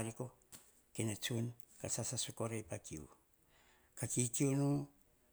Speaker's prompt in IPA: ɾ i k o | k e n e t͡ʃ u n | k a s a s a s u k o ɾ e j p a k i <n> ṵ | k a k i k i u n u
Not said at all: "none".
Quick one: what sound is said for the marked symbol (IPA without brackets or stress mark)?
none